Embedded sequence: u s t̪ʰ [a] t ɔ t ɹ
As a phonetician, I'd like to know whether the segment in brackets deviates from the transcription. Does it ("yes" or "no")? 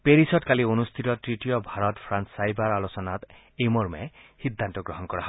yes